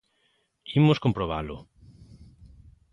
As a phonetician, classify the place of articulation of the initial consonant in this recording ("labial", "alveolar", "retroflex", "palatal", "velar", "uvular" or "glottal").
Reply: labial